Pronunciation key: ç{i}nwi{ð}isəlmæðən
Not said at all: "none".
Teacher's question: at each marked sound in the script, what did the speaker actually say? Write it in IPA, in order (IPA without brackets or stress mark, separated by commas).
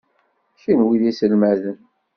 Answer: i, ð